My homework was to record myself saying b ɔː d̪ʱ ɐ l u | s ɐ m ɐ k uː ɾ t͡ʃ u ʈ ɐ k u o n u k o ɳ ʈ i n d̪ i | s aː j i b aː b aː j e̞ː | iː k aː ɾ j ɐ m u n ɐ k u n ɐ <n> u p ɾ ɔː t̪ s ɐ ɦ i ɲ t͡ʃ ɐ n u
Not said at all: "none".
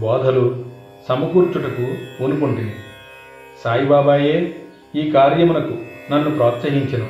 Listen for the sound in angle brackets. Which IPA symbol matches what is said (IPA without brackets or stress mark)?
nː